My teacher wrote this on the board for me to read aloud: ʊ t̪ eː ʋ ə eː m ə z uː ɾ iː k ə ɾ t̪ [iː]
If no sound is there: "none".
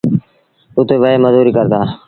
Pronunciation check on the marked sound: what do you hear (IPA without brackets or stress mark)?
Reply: aː